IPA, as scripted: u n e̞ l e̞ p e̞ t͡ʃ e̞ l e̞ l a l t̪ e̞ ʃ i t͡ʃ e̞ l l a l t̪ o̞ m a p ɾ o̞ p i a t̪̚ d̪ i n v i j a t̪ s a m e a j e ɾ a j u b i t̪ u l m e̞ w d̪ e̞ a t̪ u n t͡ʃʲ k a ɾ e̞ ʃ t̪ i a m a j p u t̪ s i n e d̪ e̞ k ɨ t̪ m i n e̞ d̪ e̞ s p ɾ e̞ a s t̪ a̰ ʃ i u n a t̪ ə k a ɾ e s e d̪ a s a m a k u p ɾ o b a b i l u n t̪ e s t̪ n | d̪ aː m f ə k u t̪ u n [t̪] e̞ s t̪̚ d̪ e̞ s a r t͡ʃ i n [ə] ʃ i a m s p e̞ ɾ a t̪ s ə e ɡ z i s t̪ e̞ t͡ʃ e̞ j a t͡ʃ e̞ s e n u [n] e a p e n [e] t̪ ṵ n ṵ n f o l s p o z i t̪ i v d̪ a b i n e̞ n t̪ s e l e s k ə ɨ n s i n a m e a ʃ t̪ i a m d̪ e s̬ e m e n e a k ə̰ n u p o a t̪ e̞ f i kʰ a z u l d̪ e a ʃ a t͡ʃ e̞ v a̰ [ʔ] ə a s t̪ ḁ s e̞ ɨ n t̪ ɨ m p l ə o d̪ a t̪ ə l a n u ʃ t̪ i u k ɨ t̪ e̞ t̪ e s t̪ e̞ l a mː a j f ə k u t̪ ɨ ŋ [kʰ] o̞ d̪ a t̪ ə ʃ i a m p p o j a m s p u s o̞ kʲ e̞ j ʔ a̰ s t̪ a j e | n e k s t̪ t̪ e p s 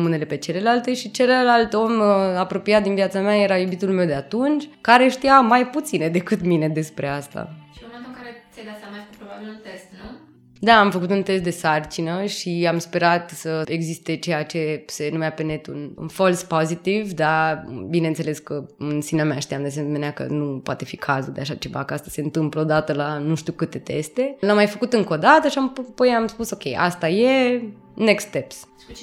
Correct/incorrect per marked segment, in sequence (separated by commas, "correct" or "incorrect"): correct, correct, incorrect, correct, incorrect, incorrect